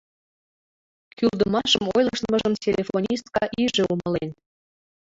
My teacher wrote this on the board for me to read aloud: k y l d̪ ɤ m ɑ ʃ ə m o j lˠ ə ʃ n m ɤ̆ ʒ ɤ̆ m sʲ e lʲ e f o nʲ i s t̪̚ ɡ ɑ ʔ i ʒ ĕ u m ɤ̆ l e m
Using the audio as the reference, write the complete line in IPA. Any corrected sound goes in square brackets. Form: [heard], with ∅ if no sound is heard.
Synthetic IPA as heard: k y l d̪ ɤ m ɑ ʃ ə m o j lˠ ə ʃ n m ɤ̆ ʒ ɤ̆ m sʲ e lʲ e f o nʲ i s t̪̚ [k] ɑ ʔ i ʒ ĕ u m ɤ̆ l e [n]